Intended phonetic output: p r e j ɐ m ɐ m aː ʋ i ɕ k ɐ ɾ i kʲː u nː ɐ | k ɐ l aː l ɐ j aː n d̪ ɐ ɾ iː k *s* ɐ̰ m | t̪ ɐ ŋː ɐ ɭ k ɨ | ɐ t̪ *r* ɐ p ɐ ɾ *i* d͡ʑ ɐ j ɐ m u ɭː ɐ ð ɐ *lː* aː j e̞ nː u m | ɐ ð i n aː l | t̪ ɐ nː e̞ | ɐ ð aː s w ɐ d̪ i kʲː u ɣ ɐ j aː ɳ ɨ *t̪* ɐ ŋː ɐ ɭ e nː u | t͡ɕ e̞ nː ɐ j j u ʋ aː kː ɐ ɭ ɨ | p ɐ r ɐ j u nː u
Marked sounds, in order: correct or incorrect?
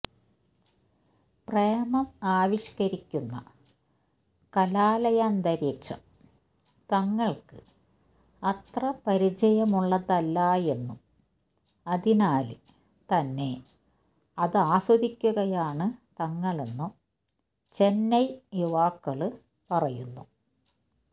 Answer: incorrect, correct, correct, correct, correct

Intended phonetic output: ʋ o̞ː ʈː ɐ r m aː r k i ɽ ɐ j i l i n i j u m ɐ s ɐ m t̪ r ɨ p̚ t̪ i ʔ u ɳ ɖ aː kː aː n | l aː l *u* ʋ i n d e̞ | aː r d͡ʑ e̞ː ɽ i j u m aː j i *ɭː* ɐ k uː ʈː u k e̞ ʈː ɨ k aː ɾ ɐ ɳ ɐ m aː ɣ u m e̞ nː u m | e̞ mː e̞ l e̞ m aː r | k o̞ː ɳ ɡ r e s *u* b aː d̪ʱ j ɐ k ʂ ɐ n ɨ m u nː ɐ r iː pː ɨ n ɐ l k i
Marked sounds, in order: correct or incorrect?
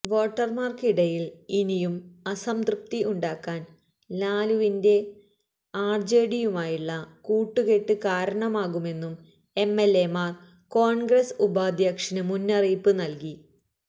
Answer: correct, correct, correct

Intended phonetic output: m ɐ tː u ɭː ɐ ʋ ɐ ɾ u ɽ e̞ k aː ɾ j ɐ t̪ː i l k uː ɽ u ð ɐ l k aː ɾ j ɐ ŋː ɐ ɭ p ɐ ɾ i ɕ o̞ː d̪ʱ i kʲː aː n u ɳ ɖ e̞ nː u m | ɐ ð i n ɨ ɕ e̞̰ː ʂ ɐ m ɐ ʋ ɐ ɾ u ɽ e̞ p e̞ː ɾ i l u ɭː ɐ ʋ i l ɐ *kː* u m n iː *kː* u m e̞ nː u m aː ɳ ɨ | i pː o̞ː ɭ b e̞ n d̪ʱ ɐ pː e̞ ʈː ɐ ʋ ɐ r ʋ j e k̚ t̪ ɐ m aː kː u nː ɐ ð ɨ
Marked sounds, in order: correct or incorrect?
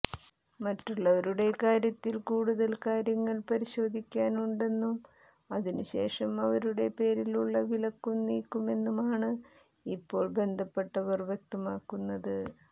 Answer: correct, correct

